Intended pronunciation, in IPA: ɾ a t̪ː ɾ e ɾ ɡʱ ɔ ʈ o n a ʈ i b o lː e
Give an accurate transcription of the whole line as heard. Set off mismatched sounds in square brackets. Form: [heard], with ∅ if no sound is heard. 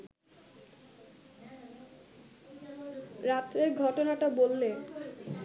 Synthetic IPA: ɾ a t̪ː ɾ e ɾ ɡʱ ɔ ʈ o n a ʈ [a] b o lː e

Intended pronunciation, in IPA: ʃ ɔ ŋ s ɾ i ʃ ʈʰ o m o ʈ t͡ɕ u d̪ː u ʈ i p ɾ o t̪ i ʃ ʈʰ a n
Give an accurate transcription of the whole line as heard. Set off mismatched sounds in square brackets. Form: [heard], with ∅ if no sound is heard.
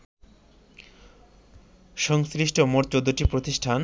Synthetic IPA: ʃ ɔ ŋ s ɾ i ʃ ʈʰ o m o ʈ t͡ɕ [o] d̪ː [o] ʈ i p ɾ o t̪ i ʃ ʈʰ a n

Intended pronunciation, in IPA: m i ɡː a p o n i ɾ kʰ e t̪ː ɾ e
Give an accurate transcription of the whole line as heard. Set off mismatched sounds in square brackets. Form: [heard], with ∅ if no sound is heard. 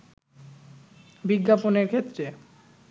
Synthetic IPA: [b] i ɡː a p o n [e] ɾ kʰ e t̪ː ɾ e

